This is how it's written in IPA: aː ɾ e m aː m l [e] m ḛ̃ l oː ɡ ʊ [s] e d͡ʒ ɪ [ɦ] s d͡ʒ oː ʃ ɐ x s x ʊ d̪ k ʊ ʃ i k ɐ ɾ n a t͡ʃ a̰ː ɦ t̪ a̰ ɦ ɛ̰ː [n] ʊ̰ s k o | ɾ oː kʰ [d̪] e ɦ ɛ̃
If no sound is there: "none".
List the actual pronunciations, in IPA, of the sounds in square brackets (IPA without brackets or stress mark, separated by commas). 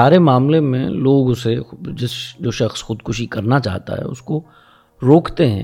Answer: e, s, none, none, t̪